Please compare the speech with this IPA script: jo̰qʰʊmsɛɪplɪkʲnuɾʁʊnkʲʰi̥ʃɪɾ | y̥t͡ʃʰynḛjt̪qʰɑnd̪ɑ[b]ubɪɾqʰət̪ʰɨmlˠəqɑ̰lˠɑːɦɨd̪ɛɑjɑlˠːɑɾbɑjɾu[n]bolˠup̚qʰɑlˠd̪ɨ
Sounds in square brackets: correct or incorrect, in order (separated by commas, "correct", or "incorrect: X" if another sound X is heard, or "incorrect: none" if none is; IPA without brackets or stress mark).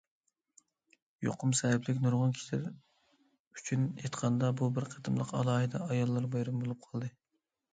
correct, incorrect: m